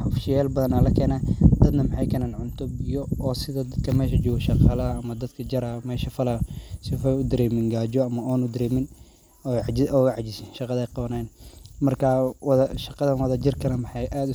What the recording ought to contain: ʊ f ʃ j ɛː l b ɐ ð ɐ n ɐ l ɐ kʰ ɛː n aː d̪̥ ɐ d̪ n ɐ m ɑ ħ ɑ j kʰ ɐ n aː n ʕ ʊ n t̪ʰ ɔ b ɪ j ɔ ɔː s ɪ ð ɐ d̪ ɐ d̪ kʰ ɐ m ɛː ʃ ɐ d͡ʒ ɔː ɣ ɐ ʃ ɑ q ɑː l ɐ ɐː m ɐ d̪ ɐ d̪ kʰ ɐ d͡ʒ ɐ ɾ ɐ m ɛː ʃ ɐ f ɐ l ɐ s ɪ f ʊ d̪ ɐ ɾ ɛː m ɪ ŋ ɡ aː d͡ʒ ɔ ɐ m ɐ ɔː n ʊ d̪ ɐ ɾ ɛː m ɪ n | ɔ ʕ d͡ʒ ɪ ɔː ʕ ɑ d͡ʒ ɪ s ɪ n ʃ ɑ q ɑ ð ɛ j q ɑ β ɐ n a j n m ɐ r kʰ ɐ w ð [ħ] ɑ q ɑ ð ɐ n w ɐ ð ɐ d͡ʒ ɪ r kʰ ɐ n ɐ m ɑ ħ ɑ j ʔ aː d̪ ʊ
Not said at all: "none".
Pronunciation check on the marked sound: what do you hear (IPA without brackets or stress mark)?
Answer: ʃ